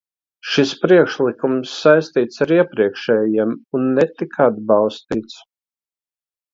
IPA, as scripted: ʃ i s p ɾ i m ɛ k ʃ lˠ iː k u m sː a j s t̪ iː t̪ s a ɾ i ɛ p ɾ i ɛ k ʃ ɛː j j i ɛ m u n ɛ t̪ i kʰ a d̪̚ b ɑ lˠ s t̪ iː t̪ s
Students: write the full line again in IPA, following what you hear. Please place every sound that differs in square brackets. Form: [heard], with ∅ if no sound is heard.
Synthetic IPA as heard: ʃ i s p ɾ i [∅] ɛ k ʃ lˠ [i] k u m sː a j s t̪ iː t̪ s a ɾ i ɛ p ɾ i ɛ k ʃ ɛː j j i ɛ m u [nː] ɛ t̪ i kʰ a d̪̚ b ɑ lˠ s t̪ iː t̪ s